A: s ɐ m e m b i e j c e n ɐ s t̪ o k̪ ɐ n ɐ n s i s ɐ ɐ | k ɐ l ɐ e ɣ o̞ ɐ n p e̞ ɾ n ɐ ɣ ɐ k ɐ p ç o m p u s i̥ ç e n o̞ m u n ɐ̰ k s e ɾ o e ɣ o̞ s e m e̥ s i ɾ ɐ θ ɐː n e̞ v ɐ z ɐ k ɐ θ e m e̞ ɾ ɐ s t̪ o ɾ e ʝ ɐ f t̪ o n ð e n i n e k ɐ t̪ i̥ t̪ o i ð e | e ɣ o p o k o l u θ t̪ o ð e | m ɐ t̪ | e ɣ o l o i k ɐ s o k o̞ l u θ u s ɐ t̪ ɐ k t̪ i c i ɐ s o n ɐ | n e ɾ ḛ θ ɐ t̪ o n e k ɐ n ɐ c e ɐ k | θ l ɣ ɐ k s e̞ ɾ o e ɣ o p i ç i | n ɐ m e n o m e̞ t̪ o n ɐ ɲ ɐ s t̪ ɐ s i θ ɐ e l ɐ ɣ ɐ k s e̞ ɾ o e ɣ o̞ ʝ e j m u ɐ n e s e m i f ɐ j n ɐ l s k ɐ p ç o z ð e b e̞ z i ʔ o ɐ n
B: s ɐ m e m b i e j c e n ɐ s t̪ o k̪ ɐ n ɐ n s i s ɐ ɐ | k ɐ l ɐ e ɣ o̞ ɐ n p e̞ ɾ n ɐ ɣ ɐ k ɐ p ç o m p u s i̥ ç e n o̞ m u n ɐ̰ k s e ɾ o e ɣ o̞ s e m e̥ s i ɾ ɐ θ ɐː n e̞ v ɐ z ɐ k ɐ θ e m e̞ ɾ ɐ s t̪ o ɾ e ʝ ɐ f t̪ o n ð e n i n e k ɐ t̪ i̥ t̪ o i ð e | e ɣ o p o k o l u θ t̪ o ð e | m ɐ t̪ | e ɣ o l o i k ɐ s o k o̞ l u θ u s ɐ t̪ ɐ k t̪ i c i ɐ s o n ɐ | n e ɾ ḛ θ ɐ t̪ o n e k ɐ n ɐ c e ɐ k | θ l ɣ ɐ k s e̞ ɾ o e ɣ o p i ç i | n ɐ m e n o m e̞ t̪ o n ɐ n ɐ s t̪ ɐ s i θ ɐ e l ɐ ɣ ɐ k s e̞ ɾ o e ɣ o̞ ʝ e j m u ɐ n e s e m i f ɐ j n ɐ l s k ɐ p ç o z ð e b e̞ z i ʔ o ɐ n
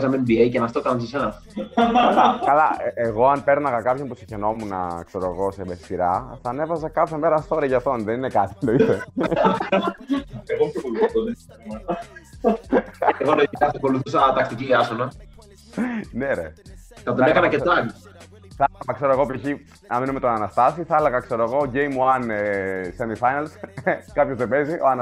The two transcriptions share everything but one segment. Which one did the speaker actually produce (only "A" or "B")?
B